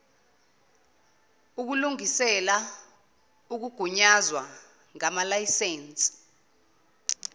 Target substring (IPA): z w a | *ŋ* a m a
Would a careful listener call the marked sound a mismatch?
no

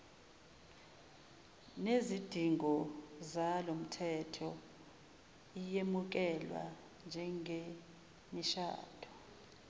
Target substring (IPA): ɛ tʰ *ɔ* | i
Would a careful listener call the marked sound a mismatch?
no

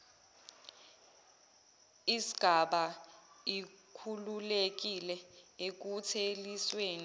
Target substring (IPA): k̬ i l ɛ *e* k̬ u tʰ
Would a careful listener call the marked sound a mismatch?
no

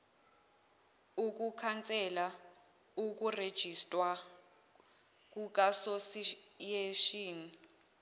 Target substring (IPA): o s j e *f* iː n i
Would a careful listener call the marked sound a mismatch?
yes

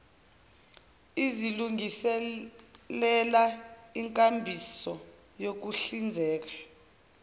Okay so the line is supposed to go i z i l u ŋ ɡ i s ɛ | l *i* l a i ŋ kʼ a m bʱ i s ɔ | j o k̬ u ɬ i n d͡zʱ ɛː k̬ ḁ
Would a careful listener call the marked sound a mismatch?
yes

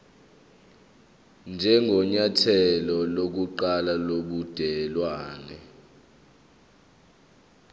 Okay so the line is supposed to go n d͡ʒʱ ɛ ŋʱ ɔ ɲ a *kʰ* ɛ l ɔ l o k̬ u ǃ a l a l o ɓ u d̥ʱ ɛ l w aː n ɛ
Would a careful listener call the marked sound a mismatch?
yes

